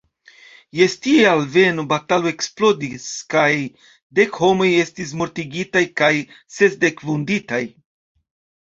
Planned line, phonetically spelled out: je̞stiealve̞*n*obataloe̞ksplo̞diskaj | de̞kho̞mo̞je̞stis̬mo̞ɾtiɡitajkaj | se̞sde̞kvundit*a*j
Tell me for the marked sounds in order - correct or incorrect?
correct, correct

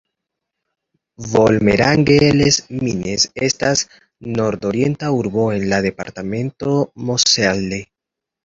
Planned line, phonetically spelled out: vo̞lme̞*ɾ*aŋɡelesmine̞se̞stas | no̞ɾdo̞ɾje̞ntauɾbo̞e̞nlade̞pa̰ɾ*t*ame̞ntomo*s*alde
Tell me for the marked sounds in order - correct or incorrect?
correct, correct, correct

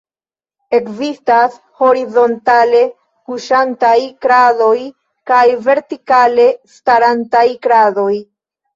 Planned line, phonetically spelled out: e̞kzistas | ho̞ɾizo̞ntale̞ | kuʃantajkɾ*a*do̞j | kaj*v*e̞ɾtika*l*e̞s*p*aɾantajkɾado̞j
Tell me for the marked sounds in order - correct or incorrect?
correct, correct, correct, incorrect

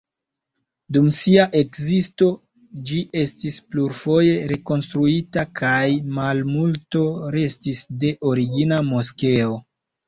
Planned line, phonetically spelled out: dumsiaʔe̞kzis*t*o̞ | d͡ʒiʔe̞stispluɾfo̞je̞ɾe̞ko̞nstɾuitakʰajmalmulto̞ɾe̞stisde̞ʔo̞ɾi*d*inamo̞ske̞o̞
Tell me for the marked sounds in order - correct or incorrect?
correct, incorrect

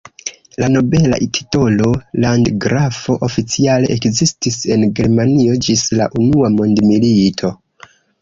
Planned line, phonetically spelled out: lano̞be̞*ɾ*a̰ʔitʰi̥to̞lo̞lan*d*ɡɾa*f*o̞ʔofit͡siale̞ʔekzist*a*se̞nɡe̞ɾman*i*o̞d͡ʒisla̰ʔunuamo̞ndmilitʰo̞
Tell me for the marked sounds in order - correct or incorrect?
incorrect, correct, correct, incorrect, correct

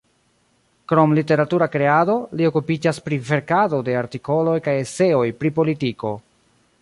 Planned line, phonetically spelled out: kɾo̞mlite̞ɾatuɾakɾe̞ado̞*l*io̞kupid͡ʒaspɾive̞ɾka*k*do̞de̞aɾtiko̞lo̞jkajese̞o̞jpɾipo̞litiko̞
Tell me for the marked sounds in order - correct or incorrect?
correct, incorrect

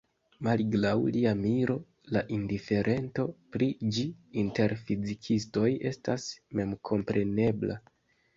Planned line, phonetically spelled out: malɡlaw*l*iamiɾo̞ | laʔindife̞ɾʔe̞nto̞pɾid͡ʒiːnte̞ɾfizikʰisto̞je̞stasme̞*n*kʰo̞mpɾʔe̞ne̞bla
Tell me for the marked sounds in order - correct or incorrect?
correct, incorrect

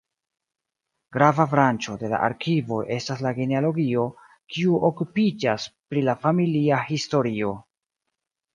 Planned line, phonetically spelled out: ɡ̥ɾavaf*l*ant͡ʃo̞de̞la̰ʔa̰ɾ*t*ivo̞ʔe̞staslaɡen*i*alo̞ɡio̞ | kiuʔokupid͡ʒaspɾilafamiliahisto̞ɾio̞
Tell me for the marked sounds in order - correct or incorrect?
incorrect, incorrect, incorrect

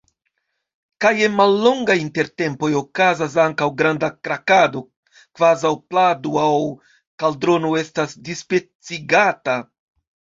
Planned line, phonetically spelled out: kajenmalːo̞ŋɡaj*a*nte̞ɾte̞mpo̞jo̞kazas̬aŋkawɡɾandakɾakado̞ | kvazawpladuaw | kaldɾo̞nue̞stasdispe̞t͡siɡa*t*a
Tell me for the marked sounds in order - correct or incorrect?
incorrect, correct

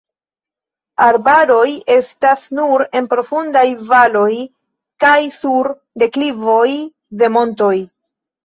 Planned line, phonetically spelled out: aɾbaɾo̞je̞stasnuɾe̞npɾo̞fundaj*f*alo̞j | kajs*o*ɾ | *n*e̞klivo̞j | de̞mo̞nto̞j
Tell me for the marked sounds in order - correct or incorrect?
incorrect, incorrect, incorrect

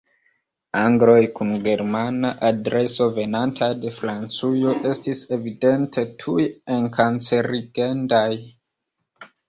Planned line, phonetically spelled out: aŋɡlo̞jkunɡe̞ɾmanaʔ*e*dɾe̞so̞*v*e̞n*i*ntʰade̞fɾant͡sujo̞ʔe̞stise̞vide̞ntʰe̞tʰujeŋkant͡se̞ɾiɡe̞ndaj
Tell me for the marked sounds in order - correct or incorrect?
incorrect, correct, incorrect

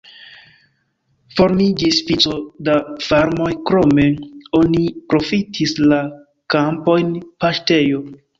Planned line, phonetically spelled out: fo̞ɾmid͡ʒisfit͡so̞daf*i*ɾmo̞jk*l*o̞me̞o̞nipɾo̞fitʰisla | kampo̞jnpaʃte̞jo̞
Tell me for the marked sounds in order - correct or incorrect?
incorrect, incorrect

